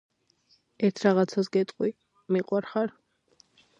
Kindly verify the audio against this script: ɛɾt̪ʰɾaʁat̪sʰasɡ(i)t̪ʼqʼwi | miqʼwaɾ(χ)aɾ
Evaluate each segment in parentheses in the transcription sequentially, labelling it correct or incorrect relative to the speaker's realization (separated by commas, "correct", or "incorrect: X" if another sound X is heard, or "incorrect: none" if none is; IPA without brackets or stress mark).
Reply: incorrect: ɛ, correct